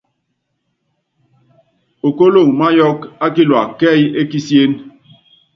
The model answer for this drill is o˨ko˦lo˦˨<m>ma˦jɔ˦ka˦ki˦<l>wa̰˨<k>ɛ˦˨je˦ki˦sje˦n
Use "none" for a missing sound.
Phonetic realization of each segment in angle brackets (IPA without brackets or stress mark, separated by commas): ŋ, l, k